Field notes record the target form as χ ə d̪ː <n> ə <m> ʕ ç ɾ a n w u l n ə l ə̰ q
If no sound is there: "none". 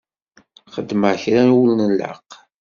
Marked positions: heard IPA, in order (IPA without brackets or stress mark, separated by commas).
m, none